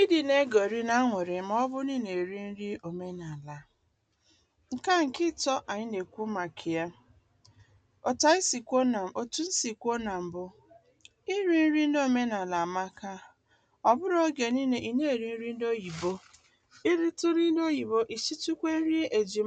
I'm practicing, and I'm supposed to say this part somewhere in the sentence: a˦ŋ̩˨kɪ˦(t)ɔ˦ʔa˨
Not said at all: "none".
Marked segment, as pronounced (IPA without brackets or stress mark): t